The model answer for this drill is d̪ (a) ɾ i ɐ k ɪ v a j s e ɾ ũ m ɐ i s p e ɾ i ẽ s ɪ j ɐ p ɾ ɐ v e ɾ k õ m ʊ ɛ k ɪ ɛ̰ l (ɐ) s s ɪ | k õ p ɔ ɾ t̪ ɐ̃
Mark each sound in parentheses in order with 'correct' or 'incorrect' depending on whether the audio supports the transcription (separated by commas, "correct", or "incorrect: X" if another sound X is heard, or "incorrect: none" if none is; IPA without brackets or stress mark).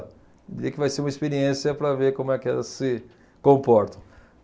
incorrect: i, correct